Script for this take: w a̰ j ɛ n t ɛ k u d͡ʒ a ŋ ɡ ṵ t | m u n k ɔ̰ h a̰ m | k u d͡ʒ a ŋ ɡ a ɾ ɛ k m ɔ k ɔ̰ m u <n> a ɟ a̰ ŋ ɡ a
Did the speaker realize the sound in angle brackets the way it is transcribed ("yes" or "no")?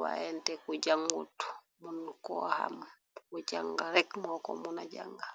yes